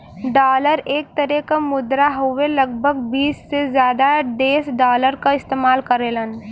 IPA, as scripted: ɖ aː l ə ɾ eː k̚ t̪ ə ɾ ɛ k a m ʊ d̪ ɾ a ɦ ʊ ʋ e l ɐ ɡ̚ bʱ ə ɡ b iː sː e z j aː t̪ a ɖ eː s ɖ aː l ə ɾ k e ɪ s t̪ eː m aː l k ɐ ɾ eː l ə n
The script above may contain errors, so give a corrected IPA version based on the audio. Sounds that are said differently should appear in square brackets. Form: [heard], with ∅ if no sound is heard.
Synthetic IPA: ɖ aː l ə ɾ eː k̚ t̪ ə ɾ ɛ k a m ʊ d̪ ɾ a ɦ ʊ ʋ e l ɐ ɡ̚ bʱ ə ɡ b iː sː e z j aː [d̪] a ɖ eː s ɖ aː l ə ɾ k [a] ɪ s t̪ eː m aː l k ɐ ɾ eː l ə n